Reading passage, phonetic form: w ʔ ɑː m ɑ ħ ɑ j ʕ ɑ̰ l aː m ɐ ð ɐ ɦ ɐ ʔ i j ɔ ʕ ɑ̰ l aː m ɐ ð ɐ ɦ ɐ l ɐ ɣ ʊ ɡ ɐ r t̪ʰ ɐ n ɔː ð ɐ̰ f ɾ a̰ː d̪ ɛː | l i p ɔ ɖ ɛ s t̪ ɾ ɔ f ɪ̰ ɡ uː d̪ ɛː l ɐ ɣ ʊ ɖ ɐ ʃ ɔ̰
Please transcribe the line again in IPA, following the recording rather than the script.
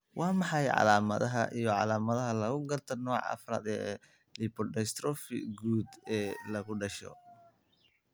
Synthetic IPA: w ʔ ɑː m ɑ ħ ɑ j ʕ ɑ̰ l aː m ɐ ð ɐ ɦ ɐ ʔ i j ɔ ʕ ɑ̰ l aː m ɐ ð ɐ ɦ ɐ l ɐ ɣ ʊ ɡ ɐ r t̪ʰ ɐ n ɔː ʕ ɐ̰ f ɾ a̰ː d̪ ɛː | l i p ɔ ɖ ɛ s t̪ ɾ ɔ f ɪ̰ ɡ uː d̪ ɛː l ɐ ɣ ʊ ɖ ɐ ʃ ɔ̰

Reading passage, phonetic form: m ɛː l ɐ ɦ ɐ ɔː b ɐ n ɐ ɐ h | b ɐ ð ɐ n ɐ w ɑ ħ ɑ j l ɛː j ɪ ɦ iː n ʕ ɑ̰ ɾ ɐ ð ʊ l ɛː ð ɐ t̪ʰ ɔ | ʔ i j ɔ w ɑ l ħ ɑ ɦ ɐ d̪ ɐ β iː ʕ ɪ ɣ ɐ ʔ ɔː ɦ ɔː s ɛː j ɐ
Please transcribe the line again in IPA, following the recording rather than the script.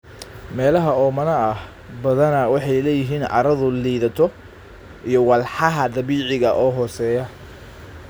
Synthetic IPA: m ɛː l ɐ ɦ ɐ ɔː m ɐ n ɐ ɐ h | b ɐ ð ɐ n ɐ w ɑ ħ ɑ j l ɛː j ɪ ɦ iː n ʕ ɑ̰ ɾ ɐ ð ʊ l iː ð ɐ t̪ʰ ɔ | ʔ i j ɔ w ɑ l ħ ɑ ɦ ɐ d̪ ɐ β iː ʕ ɪ ɣ ɐ ʔ ɔː ɦ ɔː s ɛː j ɐ

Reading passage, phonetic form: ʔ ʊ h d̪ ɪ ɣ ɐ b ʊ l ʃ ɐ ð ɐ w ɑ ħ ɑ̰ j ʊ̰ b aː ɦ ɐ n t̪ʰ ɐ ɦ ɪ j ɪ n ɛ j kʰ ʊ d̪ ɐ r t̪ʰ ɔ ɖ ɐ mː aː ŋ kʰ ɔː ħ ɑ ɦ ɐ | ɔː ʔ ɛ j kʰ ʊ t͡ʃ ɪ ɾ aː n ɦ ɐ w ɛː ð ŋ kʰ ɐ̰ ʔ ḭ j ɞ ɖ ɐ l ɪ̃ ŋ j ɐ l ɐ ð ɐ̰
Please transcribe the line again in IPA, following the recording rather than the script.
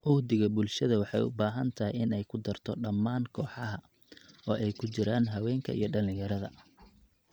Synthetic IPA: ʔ ʊ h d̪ ɪ ɣ ɐ b ʊ l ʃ ɐ ð ɐ w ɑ ħ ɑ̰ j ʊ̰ b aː ɦ ɐ n t̪ʰ ɐ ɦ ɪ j ɪ n ɛ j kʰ ʊ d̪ ɐ r t̪ʰ ɔ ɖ ɐ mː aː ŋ kʰ ɔː ħ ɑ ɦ ɐ | ɔː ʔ ɛ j kʰ ʊ t͡ʃ ɪ ɾ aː n ɦ ɐ w ɛː ŋ kʰ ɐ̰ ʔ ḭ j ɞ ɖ ɐ l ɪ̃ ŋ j ɐ ɾ ɐ ð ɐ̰

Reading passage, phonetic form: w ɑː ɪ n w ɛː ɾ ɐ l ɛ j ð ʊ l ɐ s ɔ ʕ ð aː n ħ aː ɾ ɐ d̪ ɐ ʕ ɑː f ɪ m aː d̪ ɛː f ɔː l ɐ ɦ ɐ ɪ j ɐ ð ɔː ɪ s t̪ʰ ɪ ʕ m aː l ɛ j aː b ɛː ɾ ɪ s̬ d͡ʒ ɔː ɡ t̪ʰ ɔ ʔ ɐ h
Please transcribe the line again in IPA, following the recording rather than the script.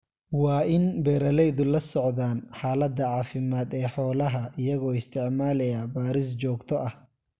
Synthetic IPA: w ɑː ɪ n b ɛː ɾ ɐ l ɛ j ð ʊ l ɐ s ɔ ʕ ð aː n ħ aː l ɐ d̪ ɐ ʕ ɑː f ɪ m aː d̪ ɛː ħ ɔː l ɐ ɦ ɐ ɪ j ɐ ɣ ɔː ɪ s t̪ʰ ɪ ʕ m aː l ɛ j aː b aː ɾ ɪ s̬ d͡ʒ ɔː ɡ t̪ʰ ɔ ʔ ɐ h

